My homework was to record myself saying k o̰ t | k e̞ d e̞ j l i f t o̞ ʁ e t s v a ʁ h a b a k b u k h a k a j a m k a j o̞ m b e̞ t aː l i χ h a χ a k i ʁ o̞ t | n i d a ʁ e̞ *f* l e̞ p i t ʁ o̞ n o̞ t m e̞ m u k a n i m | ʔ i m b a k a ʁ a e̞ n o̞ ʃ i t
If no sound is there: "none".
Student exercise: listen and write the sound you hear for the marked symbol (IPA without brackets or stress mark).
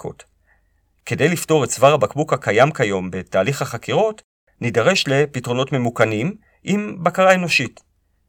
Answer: ʃ